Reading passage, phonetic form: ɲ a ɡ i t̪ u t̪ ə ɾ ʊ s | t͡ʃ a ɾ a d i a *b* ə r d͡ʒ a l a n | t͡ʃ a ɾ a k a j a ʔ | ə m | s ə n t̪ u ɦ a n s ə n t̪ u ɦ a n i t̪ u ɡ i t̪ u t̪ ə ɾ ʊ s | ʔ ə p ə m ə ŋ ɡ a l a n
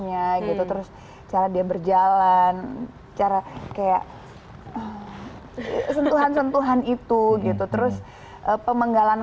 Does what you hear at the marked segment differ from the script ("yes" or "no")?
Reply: no